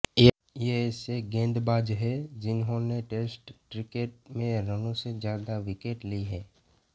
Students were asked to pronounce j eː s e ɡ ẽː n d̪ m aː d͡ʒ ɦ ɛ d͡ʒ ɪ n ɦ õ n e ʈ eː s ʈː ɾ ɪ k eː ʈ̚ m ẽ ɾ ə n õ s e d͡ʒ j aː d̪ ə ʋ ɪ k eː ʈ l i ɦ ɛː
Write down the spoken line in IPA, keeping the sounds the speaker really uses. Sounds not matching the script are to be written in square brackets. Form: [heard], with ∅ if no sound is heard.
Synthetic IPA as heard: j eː s e ɡ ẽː n d̪ [b] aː d͡ʒ ɦ ɛ d͡ʒ ɪ n ɦ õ n e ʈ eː s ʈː ɾ ɪ k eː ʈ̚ m ẽ ɾ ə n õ s e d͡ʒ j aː d̪ [a] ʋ ɪ k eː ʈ l i ɦ ɛː

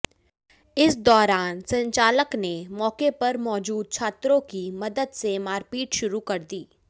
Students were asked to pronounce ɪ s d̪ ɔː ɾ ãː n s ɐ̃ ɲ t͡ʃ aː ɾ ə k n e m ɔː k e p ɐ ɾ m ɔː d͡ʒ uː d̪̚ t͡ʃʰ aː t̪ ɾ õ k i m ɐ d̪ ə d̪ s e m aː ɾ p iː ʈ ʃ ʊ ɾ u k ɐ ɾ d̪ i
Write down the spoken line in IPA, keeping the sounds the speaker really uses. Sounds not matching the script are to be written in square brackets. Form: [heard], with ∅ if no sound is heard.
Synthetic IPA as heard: ɪ s d̪ ɔː ɾ [aː] n s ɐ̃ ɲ t͡ʃ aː [l] ə k n e m ɔː k e p ɐ ɾ m ɔː d͡ʒ uː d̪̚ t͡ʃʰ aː t̪ ɾ õ k i m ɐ d̪ ə d̪ s e m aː ɾ p iː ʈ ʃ ʊ ɾ u k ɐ ɾ d̪ [iː]

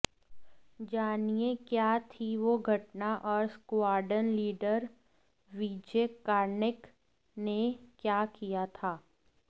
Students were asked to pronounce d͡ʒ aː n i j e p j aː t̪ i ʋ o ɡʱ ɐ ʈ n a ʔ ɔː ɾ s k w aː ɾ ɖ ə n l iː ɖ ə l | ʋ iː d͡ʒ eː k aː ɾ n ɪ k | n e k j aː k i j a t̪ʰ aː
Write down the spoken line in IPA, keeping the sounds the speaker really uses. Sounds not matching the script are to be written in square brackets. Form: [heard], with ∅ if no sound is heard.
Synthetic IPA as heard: d͡ʒ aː n i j e [k] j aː [t̪ʰ] i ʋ o ɡʱ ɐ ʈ n a ʔ ɔː ɾ s k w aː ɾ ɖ ə n l iː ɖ ə [ɾ] | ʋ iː d͡ʒ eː k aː ɾ n ɪ k | n e k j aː k i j a t̪ʰ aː

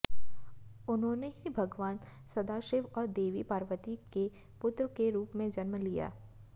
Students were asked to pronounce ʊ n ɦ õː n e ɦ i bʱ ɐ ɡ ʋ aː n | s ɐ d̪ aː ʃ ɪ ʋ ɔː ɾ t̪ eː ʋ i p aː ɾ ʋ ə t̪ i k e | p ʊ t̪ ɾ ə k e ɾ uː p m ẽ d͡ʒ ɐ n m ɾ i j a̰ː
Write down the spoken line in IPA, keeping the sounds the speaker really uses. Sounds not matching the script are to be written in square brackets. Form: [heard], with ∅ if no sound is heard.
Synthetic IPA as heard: ʊ n ɦ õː n e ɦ i bʱ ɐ ɡ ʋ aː n | s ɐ d̪ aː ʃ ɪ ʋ ɔː ɾ [d̪] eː ʋ i p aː ɾ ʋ ə t̪ i k e | p ʊ t̪ ɾ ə k e ɾ uː p m ẽ d͡ʒ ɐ n m [l] i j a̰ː

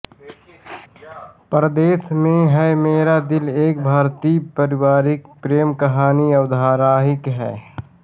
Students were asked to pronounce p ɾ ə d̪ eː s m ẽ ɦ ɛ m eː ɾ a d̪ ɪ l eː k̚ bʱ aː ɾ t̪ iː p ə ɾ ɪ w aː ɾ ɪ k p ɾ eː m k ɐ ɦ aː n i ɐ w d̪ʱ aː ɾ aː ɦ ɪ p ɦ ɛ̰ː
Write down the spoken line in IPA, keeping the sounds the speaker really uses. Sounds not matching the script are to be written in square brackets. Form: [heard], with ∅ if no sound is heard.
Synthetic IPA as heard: p ɾ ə d̪ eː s m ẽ ɦ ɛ m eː ɾ a d̪ ɪ l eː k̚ bʱ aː ɾ t̪ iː p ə ɾ ɪ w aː ɾ ɪ k p ɾ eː m k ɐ ɦ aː n i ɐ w d̪ʱ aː ɾ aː ɦ ɪ [k] ɦ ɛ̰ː

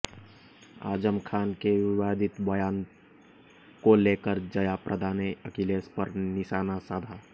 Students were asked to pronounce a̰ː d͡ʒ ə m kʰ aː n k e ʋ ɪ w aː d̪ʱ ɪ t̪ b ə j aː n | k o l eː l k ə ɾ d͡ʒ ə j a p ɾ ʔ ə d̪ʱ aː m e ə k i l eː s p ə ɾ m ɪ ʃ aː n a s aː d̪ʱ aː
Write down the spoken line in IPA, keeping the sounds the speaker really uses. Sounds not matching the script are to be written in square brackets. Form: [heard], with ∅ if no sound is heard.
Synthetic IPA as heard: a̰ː d͡ʒ ə m kʰ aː n k e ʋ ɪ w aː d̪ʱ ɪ t̪ b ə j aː n | k o l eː [∅] k ə ɾ d͡ʒ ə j a p ɾ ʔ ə d̪ʱ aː [n] e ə k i l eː s p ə ɾ [n] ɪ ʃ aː n a s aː d̪ʱ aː

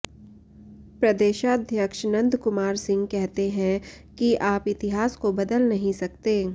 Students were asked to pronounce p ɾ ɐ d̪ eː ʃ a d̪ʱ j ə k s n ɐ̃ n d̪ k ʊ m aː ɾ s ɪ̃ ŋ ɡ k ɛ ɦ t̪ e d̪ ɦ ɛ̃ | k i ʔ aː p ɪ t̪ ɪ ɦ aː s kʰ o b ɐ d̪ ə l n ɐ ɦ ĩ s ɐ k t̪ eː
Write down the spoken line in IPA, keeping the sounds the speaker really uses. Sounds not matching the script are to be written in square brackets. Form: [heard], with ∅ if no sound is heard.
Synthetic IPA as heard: p ɾ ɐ d̪ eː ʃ a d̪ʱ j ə k [ʃ] n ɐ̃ n d̪ k ʊ m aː ɾ s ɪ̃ ŋ ɡ k ɛ ɦ t̪ e [∅] ɦ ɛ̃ | k i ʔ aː p ɪ t̪ ɪ ɦ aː s [k] o b ɐ d̪ ə l n ɐ ɦ ĩ s ɐ k t̪ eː

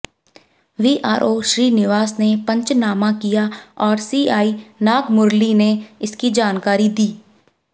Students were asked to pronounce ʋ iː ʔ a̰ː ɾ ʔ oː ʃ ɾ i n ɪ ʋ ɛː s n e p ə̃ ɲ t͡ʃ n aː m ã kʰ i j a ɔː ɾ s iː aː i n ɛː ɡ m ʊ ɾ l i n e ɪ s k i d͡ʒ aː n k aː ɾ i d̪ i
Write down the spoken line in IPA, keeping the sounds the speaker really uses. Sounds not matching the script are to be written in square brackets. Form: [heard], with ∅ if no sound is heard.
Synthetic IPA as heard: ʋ iː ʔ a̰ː ɾ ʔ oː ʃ ɾ [iː] n ɪ ʋ [aː] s n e p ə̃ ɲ t͡ʃ n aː m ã [k] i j a ɔː ɾ s iː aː i n [aː] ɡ m ʊ ɾ l i n e ɪ s k i d͡ʒ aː n k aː ɾ i d̪ [iː]

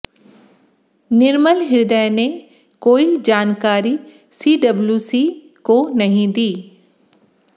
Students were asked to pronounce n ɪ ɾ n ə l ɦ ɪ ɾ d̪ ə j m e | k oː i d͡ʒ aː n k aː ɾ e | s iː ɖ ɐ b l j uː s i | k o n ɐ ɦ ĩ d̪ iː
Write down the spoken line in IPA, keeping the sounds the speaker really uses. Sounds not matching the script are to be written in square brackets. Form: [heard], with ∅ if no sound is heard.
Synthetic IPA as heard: n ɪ ɾ [m] ə l ɦ ɪ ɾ d̪ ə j [n] e | k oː i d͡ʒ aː n k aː ɾ [i] | s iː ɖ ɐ b l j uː s i | k o n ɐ ɦ ĩ d̪ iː

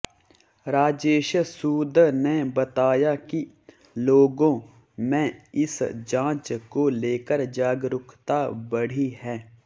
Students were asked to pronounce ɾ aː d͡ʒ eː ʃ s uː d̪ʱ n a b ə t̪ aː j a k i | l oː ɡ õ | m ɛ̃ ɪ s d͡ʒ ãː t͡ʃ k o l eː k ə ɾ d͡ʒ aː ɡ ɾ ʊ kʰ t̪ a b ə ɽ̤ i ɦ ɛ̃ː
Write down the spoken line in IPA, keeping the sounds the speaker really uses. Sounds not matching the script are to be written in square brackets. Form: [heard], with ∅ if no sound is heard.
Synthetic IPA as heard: ɾ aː d͡ʒ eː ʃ s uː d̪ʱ n [e] b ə t̪ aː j a k i | l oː ɡ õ | m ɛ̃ ɪ s d͡ʒ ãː t͡ʃ k o l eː k ə ɾ d͡ʒ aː ɡ ɾ ʊ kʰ t̪ a b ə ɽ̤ i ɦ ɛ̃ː

